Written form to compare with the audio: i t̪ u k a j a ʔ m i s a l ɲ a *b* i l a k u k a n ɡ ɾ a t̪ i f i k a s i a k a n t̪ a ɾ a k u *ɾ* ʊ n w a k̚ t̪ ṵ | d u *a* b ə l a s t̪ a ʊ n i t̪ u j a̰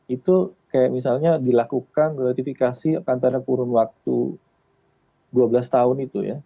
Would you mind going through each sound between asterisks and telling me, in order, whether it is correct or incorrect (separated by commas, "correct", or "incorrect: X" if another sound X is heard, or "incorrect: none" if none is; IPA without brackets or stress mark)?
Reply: incorrect: d, correct, correct